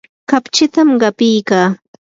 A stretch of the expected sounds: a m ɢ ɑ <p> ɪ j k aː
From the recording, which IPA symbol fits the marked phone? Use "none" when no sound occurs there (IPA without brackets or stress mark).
p